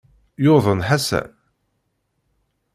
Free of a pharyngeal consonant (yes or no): no